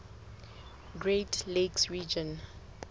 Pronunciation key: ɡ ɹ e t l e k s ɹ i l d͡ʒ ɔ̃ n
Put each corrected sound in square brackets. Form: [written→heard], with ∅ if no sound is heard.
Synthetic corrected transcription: ɡ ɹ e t l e k s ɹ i [l→∅] d͡ʒ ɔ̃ n